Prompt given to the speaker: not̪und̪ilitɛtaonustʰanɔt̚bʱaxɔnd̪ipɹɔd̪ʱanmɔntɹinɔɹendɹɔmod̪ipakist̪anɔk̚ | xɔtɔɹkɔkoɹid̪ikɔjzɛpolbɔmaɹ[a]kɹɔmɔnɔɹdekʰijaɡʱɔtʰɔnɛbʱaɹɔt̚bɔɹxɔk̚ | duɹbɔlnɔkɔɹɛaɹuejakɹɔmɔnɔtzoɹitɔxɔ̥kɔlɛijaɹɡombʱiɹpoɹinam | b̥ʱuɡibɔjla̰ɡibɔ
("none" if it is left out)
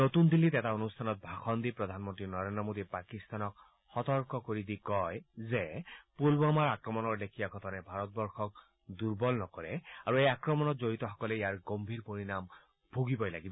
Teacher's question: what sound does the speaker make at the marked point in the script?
a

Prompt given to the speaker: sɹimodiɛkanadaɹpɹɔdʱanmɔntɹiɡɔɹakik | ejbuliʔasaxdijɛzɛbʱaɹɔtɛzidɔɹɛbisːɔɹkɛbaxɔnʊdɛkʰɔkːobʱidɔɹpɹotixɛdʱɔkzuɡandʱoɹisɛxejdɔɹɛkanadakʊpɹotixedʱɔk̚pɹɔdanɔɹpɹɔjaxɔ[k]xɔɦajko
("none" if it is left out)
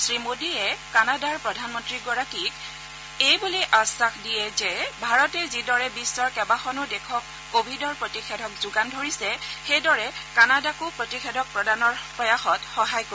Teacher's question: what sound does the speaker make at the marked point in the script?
t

